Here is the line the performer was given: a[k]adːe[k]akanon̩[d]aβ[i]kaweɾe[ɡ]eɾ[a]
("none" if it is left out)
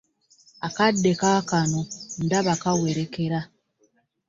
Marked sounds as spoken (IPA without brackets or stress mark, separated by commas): k, k, d, a, k, a